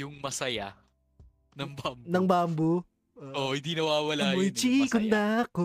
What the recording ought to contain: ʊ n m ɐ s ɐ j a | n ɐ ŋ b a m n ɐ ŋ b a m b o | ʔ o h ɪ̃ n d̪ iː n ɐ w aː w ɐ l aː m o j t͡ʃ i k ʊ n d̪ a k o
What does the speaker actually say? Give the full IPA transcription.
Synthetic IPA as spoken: ʊ ŋ m ɐ s ɐ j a | n ɐ ŋ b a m n ɐ ŋ b a m b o | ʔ o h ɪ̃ n d̪ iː n ɐ w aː w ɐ l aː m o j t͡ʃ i k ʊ n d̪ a k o